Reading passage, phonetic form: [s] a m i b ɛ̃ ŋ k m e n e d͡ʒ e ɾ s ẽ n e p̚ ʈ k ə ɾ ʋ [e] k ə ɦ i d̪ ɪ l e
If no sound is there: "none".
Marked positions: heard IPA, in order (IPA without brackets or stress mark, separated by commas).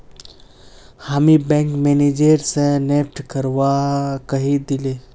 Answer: h, a